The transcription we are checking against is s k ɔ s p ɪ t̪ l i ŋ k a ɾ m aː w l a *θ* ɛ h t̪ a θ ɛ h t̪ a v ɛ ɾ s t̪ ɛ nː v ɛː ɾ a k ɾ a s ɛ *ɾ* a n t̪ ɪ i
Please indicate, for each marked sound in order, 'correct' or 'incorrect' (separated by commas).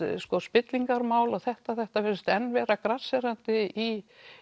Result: correct, correct